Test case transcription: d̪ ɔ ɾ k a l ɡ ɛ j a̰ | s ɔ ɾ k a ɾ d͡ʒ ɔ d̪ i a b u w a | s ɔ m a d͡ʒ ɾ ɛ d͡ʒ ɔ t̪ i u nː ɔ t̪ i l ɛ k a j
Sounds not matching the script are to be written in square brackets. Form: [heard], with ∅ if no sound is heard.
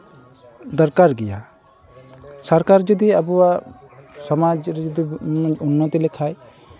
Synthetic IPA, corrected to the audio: d̪ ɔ ɾ k a [ɾ] ɡ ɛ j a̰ | s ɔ ɾ k a ɾ d͡ʒ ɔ d̪ i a b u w a | s ɔ m a d͡ʒ ɾ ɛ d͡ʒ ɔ [d̪] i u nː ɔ t̪ i l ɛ [kʰ] a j